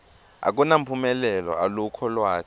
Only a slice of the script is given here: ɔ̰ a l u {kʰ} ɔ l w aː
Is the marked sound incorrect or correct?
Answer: correct